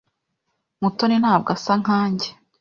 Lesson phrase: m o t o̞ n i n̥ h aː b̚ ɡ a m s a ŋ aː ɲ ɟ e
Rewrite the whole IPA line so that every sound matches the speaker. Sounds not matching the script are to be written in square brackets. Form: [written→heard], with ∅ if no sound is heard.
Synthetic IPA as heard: m [o→u] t o̞ n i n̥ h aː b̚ ɡ a [m→∅] s a ŋ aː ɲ ɟ e

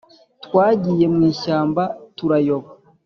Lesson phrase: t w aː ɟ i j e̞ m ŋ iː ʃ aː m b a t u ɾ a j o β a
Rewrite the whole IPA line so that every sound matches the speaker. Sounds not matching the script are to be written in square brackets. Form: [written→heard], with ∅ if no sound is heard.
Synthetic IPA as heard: t w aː ɟ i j e̞ m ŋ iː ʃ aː m b a t u ɾ a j o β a

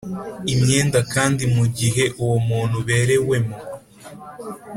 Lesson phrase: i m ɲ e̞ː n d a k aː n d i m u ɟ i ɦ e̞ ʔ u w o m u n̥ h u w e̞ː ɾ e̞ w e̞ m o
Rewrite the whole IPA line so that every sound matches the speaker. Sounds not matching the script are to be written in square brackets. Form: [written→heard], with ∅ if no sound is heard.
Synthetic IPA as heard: i m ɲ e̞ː n d a k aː n d i m u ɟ i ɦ e̞ ʔ u w o m [u→uː] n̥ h u [w→β] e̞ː ɾ e̞ w e̞ m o

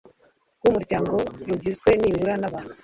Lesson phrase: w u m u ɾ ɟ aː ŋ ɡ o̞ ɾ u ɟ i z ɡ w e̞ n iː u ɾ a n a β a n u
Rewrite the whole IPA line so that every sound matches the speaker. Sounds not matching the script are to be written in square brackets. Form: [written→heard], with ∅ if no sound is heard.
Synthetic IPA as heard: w u m u ɾ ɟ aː ŋ ɡ o̞ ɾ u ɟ i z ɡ w e̞ n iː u ɾ a n a β a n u

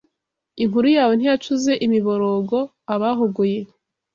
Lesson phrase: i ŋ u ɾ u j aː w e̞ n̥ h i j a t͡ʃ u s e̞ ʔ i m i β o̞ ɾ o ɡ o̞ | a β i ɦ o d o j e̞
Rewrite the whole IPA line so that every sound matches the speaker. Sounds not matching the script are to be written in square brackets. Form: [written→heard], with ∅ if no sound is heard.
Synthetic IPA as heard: i ŋ u ɾ u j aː w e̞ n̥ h i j a t͡ʃ u [s→z] e̞ ʔ i m i β o̞ ɾ o ɡ o̞ | a β [i→a] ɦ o [d→ɡ] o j e̞

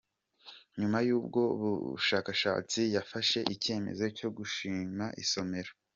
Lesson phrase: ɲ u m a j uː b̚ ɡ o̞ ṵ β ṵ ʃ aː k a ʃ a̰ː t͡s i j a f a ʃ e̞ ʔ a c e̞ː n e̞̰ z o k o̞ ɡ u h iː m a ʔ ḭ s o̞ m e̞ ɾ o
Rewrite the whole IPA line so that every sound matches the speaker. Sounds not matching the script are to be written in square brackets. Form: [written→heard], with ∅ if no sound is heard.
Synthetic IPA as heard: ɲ u m a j uː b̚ ɡ o̞ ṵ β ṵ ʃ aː k a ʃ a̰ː t͡s i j a f a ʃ e̞ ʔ [a→i] c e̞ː [n→m] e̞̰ z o [k→c] o̞ ɡ u [h→ʃ] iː m a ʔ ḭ s o̞ m e̞ ɾ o

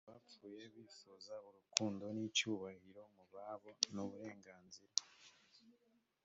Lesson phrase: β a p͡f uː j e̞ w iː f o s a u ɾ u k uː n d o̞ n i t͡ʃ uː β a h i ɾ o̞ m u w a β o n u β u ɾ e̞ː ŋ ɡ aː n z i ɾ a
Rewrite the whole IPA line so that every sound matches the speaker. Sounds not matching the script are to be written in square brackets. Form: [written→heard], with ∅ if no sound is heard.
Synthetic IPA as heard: β a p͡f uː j e̞ [w→β] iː f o [s→z] a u ɾ u k uː n d o̞ n i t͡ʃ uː β a h i ɾ o̞ m u [w→β] a β o n u β u ɾ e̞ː ŋ ɡ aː n z i ɾ a

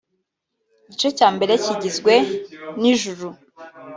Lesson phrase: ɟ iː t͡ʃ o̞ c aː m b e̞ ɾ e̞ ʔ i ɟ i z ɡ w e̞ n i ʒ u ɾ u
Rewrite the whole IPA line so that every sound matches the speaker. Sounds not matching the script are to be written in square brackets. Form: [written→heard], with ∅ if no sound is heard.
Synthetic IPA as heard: ɟ [iː→i] t͡ʃ o̞ c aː m b e̞ ɾ e̞ [ʔ→c] i ɟ i z ɡ w e̞ n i ʒ u ɾ u

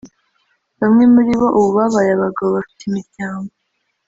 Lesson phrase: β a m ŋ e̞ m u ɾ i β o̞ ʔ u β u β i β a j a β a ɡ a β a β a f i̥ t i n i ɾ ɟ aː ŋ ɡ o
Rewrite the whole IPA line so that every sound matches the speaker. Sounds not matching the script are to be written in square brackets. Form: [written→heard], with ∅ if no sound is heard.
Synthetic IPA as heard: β a m ŋ e̞ m u ɾ i β o̞ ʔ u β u β [i→a] β a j a β a ɡ a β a β a f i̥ t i [n→m] i ɾ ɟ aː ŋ ɡ o

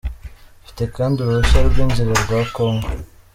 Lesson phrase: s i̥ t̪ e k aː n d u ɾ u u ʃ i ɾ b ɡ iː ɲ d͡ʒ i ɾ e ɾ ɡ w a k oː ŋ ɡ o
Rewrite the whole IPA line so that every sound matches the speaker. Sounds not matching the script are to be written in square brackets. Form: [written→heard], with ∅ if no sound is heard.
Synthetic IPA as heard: [s→f] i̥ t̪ e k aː n d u ɾ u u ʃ [i→a] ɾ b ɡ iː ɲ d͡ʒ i ɾ e ɾ ɡ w a k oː ŋ ɡ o

